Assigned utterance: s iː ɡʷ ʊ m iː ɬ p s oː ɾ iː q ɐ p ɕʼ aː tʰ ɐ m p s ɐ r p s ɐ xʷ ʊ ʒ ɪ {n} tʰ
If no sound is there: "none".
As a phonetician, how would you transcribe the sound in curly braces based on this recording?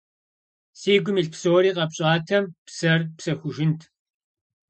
n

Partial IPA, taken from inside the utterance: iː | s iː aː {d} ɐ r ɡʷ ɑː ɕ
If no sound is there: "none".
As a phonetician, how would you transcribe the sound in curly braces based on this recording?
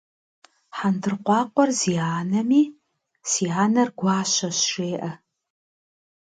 n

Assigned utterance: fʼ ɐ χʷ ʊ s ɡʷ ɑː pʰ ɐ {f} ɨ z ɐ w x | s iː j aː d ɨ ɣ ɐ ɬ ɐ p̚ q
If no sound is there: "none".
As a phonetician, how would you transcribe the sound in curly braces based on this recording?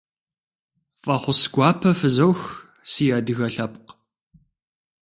f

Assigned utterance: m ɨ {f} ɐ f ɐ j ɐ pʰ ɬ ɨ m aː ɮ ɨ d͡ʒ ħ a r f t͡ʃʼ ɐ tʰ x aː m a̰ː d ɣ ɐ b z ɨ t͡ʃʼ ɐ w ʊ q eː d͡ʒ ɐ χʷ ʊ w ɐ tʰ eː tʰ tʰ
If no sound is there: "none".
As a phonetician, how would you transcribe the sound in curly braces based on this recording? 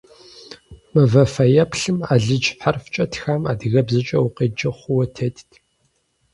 v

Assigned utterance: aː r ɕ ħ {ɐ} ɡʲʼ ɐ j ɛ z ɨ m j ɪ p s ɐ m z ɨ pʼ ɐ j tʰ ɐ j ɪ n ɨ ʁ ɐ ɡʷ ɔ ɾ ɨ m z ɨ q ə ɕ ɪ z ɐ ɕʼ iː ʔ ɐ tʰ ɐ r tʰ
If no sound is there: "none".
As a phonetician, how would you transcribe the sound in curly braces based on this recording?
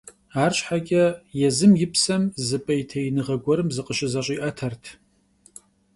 a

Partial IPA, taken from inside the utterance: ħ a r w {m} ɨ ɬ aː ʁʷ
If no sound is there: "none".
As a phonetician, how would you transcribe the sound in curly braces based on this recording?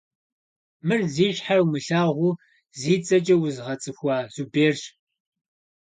m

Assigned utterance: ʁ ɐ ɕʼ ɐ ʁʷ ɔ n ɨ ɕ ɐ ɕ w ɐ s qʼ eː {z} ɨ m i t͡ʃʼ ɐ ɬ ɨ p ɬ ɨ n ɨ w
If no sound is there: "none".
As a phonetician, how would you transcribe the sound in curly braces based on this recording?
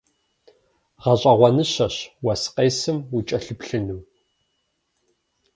s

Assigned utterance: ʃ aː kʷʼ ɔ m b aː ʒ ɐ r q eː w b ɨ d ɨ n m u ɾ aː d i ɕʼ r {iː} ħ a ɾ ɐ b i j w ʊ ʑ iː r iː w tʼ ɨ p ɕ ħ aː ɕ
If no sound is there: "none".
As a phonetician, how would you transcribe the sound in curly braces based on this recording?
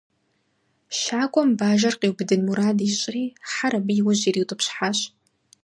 iː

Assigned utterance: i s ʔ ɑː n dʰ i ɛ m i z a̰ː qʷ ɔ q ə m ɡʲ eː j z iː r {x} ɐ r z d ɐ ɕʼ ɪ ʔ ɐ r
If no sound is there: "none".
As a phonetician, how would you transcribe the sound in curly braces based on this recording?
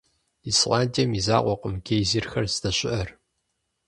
x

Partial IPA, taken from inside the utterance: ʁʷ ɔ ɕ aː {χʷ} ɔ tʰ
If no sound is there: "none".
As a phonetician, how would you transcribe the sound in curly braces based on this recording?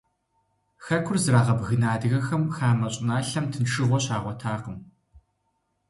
ʁʷ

